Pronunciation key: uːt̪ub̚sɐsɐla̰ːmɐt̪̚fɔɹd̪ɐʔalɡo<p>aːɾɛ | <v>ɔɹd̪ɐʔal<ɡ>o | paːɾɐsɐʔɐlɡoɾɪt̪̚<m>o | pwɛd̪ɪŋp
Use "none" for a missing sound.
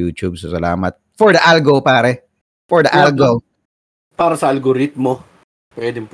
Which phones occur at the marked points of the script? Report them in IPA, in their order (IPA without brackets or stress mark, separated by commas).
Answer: p, f, ɡ, m